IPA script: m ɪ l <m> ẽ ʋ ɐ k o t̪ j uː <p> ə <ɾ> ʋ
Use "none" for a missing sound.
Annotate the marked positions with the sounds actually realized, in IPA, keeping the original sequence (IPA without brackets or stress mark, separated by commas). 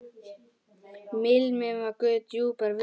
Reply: m, p, ɾ